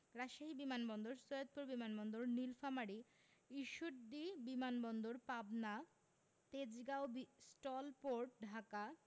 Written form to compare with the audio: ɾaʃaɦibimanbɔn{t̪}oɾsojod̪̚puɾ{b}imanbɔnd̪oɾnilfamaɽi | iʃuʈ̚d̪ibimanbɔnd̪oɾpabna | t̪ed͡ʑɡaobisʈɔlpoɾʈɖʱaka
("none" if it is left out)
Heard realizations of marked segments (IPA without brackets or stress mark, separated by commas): d̪, b